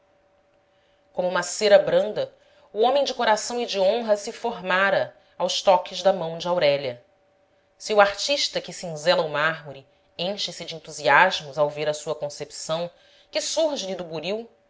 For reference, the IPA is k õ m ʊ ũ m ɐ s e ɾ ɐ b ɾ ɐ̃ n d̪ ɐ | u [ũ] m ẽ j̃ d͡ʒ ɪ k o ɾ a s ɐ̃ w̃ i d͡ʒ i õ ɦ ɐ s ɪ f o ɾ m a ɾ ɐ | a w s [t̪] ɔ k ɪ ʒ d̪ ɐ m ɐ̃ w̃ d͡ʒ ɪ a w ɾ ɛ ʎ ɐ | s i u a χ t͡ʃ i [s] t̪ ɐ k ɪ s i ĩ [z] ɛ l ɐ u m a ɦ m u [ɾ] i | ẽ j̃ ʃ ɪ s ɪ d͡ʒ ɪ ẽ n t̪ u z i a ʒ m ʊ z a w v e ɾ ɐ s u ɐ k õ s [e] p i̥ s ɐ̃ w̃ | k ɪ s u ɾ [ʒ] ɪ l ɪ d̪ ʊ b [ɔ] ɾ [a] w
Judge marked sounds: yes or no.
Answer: no, yes, no, yes, yes, yes, yes, no, no

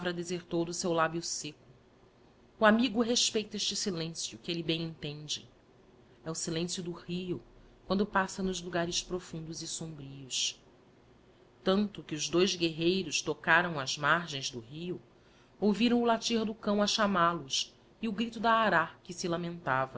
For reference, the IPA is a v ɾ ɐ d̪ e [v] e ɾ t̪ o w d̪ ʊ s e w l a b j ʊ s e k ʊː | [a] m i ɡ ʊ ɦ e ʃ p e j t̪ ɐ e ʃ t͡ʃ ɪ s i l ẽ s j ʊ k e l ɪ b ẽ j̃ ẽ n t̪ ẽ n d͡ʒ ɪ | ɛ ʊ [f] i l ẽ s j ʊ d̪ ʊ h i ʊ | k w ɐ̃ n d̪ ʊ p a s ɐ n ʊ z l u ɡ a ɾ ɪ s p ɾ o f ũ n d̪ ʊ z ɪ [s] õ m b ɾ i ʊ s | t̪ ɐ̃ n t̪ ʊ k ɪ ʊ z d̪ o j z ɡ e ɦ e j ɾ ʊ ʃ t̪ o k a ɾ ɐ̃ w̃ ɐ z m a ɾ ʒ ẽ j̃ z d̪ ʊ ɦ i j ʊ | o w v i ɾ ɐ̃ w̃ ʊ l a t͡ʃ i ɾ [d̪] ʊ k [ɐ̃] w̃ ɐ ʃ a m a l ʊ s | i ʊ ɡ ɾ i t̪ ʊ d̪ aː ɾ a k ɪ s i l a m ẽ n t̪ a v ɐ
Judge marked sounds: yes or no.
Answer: no, yes, no, yes, yes, yes

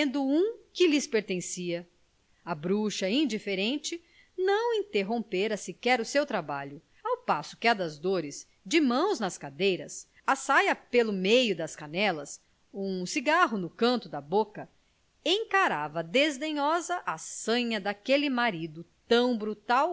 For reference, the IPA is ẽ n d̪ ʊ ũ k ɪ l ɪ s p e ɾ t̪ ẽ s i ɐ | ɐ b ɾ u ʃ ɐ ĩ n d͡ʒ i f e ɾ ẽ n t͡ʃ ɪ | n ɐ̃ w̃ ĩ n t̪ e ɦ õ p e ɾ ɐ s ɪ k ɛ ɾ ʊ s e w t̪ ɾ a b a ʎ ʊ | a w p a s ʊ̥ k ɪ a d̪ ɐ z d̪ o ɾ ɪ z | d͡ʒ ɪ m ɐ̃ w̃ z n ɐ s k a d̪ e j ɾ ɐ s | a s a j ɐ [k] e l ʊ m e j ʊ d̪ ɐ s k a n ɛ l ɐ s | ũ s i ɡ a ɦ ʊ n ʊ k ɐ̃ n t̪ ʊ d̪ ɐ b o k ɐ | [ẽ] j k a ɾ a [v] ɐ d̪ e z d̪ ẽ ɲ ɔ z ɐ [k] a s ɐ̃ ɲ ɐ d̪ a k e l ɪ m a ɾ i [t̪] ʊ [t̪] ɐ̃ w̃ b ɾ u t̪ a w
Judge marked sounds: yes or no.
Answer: no, yes, yes, no, no, yes

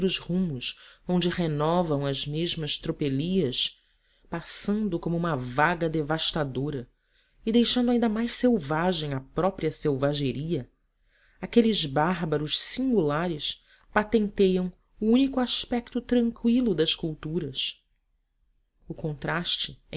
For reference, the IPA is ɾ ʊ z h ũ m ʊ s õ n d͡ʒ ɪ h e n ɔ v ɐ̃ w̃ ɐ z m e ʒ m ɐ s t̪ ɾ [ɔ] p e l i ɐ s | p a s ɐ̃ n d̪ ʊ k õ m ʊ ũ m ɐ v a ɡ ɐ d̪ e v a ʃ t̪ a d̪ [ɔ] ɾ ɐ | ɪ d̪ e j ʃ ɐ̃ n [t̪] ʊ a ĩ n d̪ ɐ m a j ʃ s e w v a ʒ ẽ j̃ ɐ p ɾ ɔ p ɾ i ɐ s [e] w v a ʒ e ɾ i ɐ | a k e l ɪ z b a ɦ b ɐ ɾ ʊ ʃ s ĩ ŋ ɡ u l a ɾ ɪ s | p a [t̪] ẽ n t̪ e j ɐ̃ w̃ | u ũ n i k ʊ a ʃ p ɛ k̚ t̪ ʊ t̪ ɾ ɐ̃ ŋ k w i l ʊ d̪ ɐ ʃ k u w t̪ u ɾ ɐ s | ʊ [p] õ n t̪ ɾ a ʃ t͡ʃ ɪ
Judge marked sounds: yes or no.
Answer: no, no, no, yes, yes, no

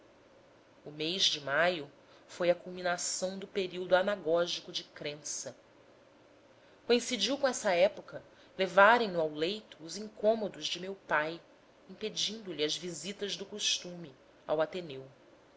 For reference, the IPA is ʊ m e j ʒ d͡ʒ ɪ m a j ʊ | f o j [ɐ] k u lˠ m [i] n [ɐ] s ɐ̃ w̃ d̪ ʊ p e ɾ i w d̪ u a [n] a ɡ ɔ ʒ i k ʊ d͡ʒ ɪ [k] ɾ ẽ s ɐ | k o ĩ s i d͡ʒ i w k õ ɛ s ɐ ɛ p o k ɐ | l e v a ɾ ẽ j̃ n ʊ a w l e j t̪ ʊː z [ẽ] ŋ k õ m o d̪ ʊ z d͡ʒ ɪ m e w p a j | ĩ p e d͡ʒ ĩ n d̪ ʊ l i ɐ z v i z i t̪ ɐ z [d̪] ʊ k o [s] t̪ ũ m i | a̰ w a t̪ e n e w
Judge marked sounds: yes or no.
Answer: yes, yes, no, yes, yes, no, yes, no

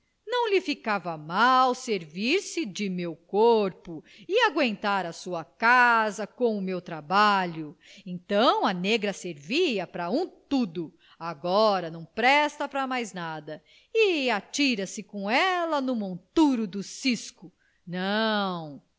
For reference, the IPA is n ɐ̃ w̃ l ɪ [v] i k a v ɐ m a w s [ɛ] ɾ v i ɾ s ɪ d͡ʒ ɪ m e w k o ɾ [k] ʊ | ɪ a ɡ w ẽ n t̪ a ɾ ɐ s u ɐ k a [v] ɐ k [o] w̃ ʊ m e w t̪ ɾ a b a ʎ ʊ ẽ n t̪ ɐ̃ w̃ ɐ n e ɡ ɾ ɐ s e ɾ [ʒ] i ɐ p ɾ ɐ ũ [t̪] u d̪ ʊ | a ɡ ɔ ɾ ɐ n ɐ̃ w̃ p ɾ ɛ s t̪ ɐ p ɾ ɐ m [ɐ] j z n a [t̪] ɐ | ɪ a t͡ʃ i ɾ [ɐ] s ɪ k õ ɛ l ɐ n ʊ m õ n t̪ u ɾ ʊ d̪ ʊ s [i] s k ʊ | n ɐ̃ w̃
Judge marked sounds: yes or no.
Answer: no, no, no, no, no, no, yes, no, no, yes, yes

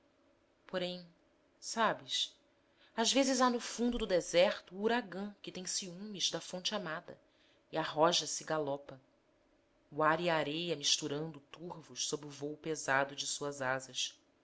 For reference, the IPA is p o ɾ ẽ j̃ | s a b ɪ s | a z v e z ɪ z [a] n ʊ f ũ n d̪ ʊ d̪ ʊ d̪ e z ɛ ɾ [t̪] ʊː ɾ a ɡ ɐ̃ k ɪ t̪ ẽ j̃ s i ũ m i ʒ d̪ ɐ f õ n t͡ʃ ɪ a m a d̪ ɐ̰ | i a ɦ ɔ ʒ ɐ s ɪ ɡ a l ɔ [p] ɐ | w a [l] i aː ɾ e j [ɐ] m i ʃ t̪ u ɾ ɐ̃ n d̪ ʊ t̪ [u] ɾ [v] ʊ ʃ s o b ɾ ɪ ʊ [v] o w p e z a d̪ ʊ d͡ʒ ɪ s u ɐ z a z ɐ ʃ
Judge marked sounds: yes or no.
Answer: yes, yes, yes, no, yes, yes, yes, yes

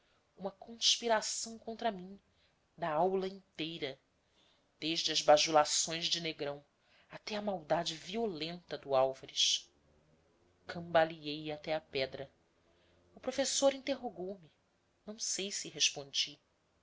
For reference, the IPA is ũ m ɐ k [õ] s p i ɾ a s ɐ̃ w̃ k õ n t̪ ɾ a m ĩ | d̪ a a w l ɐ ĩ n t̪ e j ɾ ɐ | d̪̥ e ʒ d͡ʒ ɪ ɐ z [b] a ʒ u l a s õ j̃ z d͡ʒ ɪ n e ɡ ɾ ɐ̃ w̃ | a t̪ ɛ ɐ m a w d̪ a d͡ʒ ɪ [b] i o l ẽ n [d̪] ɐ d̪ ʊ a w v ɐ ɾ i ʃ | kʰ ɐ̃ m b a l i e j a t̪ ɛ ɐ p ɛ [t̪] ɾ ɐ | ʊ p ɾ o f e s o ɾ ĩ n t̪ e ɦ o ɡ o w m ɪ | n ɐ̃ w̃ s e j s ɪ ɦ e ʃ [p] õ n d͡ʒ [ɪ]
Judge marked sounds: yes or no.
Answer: yes, yes, no, no, no, yes, no

